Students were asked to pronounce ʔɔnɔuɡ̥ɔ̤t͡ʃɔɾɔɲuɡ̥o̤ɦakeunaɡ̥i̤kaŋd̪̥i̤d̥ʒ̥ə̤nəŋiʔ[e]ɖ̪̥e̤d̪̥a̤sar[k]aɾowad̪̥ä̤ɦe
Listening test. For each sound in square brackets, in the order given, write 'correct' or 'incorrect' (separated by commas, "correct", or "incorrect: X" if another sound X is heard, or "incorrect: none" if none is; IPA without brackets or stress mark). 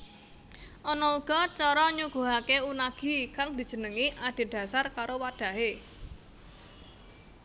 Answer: incorrect: a, correct